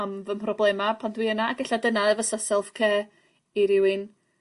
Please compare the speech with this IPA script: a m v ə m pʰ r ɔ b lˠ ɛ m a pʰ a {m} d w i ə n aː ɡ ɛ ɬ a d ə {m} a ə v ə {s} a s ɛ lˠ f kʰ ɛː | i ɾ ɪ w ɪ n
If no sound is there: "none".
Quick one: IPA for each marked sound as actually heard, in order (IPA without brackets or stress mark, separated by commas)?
n, n, s